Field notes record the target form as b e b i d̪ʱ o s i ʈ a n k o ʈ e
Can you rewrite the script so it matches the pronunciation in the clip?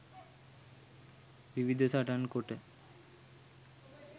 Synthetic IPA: b i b i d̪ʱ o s a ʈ a n k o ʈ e